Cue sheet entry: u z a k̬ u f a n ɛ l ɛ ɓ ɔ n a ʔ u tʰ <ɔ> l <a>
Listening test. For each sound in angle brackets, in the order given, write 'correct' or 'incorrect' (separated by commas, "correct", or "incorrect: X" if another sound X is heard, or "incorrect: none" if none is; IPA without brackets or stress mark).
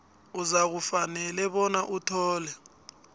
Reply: incorrect: ɔː, incorrect: ɛ